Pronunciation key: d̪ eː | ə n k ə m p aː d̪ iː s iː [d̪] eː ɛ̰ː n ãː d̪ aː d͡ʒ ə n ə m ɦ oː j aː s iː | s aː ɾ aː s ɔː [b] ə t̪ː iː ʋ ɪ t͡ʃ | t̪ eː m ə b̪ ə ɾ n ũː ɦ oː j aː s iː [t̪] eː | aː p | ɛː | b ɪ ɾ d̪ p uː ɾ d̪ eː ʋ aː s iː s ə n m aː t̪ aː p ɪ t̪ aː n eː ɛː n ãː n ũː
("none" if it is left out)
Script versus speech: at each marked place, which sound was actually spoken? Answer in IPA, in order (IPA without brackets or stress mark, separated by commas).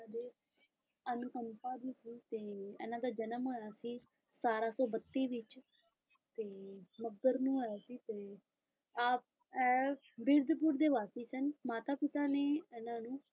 t̪, b, t̪